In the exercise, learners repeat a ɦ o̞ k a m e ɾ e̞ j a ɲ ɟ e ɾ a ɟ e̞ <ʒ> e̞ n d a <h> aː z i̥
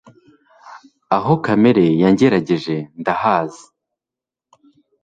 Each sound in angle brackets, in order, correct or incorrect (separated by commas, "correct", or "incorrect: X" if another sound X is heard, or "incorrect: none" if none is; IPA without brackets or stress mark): correct, correct